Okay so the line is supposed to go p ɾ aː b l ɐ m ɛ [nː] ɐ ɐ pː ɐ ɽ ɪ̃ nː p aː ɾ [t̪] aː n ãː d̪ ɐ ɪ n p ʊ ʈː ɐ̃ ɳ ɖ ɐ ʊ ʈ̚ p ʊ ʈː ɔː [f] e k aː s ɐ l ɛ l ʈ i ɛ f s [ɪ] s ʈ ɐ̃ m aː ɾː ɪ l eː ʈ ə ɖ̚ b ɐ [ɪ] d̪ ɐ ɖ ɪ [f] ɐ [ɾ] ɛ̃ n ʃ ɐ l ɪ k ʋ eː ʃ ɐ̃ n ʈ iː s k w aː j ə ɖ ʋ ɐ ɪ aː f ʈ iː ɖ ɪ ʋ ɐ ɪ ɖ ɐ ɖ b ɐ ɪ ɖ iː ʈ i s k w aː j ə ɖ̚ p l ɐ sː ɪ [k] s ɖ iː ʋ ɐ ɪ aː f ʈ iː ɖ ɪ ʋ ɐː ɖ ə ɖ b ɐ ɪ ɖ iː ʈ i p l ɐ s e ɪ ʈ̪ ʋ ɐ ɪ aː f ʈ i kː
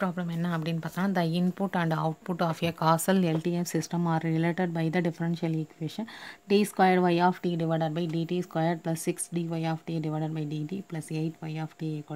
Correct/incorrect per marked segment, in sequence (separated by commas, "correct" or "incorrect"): correct, correct, correct, correct, correct, correct, correct, correct